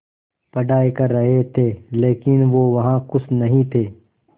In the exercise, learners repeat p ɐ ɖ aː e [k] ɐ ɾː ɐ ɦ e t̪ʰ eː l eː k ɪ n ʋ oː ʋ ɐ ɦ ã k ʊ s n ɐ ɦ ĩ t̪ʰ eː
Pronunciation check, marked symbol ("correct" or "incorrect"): correct